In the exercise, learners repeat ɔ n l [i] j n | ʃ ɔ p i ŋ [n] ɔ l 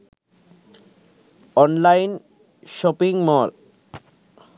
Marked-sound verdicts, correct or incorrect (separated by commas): incorrect, incorrect